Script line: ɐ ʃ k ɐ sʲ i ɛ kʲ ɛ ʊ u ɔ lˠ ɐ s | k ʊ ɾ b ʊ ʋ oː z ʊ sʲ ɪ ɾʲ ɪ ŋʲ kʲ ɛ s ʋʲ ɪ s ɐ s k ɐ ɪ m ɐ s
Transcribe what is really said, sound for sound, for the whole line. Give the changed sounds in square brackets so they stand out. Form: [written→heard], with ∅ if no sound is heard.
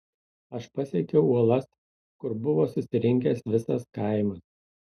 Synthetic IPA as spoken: ɐ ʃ [k→p] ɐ sʲ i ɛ kʲ ɛ ʊ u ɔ lˠ ɐ s | k ʊ ɾ b ʊ ʋ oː [z→s] ʊ sʲ ɪ ɾʲ ɪ ŋʲ kʲ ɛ s ʋʲ ɪ s ɐ s k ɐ ɪ m ɐ s